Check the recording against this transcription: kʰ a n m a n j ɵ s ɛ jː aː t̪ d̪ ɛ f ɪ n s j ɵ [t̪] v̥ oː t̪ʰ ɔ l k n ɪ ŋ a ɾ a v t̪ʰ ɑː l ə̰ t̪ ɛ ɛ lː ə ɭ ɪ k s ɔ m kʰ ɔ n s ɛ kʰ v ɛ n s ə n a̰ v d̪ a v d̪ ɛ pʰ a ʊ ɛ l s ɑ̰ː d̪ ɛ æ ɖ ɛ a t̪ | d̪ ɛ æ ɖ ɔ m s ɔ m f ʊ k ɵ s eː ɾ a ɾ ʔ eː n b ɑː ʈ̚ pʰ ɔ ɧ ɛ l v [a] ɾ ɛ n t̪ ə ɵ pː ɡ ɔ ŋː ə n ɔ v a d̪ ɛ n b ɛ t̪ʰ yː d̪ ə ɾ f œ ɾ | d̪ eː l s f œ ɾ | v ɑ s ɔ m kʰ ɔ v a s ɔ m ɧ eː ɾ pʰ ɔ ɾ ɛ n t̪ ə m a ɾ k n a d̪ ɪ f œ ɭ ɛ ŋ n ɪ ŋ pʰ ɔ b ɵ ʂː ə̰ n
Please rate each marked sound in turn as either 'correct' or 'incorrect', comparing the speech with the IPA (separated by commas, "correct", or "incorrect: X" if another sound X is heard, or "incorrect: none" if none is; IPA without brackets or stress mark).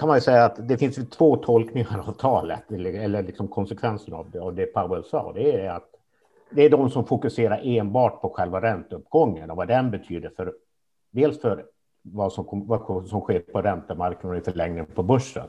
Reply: incorrect: t̪ʰ, correct